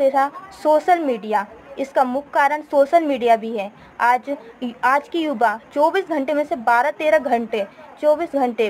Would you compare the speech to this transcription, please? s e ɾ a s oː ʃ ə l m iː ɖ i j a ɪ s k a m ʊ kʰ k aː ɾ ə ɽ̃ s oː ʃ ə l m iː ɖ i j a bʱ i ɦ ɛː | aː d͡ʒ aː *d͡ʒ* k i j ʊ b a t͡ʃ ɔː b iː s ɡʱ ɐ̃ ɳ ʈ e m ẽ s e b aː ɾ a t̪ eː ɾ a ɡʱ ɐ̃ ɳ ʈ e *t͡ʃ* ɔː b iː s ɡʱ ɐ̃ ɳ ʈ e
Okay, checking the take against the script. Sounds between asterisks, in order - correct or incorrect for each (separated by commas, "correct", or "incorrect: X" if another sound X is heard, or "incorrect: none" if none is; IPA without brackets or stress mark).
correct, correct